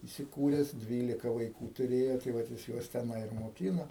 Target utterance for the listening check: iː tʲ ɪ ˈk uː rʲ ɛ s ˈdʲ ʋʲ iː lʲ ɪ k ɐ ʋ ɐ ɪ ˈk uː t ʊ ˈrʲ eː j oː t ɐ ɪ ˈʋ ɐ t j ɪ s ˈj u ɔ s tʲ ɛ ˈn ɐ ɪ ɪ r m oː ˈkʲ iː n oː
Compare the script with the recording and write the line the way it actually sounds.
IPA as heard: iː sʲ ɪ ˈk uː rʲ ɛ s ˈdʲ ʋʲ iː lʲ ɪ k ɐ ʋ ɐ ɪ ˈk uː t ʊ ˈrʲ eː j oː t ɐ ɪ ˈʋ ɐ t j ɪ s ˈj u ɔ s tʲ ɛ ˈn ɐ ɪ ɪ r m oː ˈkʲ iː n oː